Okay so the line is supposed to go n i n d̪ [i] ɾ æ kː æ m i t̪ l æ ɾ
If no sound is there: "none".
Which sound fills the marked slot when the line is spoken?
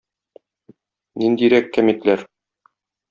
i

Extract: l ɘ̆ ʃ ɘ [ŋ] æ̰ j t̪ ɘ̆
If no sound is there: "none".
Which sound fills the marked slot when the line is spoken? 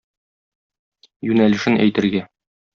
n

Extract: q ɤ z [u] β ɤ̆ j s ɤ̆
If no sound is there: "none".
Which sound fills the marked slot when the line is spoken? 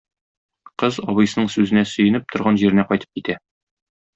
ɒ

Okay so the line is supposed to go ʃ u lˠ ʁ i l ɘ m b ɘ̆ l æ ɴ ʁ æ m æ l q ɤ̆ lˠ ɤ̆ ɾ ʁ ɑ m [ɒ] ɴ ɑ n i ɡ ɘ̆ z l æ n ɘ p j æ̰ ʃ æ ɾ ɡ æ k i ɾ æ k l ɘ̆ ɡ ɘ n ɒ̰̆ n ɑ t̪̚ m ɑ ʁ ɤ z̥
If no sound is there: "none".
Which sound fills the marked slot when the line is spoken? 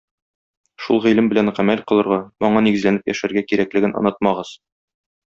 ɒ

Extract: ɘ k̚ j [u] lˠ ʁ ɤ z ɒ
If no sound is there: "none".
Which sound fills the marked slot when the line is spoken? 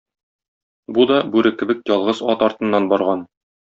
ɒ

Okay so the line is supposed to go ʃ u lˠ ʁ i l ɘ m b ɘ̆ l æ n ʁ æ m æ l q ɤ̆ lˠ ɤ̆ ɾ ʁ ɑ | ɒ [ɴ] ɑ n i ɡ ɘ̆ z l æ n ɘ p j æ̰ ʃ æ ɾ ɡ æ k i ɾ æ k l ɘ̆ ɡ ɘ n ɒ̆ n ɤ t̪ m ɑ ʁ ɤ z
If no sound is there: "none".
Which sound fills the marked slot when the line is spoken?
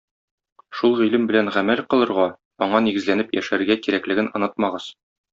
ɴ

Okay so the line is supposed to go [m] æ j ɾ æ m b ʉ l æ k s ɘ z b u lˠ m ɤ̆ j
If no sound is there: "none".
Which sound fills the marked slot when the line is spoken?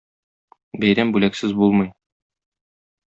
b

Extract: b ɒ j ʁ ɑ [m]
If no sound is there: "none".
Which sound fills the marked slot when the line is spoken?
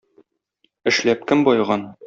n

